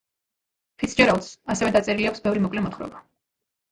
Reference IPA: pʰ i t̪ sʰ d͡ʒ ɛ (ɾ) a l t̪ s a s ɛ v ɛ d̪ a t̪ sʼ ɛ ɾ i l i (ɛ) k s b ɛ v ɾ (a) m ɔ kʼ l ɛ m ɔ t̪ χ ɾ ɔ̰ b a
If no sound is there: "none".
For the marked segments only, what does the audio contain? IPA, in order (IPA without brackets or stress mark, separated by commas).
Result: ɾ, a, i